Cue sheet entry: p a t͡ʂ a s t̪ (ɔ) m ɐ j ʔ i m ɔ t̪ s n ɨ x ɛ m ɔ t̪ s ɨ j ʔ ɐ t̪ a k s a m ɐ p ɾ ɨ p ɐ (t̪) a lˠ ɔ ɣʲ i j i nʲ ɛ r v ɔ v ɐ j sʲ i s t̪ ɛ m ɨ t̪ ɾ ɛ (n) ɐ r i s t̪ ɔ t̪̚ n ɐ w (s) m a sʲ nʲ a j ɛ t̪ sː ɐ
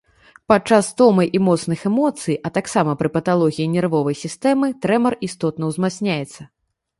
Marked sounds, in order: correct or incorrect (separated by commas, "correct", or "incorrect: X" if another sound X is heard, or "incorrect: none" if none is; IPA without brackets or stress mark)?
correct, correct, incorrect: m, incorrect: z